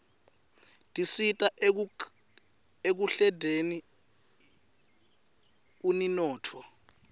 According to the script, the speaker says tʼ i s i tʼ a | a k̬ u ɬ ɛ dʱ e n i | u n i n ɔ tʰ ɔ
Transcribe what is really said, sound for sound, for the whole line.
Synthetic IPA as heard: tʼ i s i tʼ a | e k̬ u ɬ ɛ dʱ e n i | u n i n ɔː tʰ ɔ